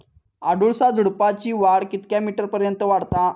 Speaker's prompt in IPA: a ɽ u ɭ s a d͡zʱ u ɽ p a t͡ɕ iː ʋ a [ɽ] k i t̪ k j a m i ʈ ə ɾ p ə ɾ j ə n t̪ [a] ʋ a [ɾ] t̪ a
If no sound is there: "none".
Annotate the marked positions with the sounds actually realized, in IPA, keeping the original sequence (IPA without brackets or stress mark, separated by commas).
ɽ, ə, ɽ